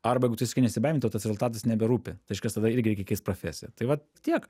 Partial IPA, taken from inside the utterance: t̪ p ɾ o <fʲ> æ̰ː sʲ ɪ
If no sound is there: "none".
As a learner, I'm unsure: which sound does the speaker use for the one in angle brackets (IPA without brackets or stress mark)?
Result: fʲ